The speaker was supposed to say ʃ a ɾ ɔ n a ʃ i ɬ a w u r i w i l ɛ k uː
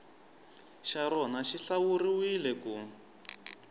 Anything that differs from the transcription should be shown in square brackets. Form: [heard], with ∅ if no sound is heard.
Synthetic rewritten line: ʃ a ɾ ɔ n a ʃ i ɬ a w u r i w i l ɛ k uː